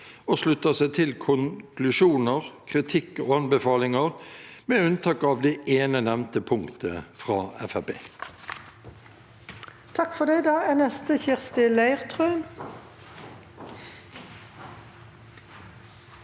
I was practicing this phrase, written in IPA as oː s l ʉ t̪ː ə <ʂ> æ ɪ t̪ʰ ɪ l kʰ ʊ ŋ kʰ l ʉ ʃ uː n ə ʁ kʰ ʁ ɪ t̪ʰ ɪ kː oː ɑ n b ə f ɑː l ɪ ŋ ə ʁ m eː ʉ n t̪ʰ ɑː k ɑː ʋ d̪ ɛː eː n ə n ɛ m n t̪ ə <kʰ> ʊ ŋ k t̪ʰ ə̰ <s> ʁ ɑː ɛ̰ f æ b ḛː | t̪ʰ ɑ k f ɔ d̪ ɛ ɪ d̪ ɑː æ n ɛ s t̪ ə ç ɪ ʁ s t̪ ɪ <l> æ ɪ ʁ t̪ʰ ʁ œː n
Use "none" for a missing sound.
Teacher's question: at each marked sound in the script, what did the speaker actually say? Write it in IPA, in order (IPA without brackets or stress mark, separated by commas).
s, pʰ, f, l